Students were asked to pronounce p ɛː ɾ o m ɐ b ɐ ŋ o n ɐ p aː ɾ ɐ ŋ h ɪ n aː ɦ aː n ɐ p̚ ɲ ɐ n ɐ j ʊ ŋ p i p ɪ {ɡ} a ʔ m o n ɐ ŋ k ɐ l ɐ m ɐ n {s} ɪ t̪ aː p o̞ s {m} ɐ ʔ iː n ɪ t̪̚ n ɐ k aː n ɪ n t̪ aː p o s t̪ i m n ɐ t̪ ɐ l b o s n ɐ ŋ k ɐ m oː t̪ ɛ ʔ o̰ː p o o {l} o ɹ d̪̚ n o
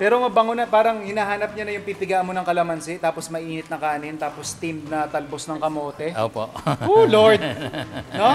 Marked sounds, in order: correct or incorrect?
correct, correct, correct, correct

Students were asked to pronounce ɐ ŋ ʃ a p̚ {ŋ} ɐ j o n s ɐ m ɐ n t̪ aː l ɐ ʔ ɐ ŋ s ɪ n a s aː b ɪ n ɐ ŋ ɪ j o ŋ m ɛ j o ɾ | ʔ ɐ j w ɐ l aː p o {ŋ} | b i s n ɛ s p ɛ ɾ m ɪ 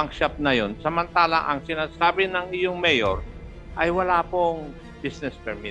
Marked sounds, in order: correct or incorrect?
incorrect: n, correct

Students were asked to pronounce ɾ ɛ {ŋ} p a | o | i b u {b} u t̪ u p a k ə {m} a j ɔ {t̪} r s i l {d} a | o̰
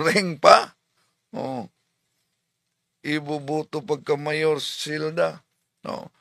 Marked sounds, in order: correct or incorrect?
correct, correct, correct, incorrect: none, correct

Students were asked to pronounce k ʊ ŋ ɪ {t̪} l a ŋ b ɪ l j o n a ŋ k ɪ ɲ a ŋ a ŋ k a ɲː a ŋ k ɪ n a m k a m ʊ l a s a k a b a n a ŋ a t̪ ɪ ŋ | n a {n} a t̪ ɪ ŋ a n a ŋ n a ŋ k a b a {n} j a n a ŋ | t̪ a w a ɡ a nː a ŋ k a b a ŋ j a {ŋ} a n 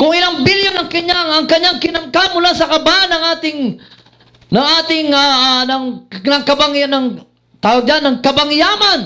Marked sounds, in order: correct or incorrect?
incorrect: none, incorrect: ŋ, incorrect: ŋ, incorrect: m

